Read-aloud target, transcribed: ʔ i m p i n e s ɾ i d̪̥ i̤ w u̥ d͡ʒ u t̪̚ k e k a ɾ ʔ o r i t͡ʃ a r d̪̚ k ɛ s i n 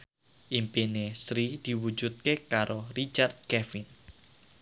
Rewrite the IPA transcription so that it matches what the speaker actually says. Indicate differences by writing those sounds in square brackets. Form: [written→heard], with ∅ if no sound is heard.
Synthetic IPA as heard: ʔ i m p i n e s ɾ i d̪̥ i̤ w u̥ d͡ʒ u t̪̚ k e k a ɾ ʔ o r i t͡ʃ a r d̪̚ k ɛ [s→f] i n